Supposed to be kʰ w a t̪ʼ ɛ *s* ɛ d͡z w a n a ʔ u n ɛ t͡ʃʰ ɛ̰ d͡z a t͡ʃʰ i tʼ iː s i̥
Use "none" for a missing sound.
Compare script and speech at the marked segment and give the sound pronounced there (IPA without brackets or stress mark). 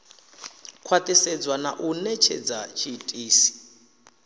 s